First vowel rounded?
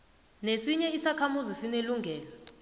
no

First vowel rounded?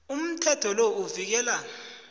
yes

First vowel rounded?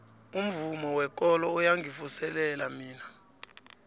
yes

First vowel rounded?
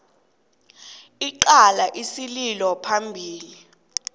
no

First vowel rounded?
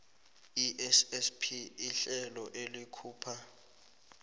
no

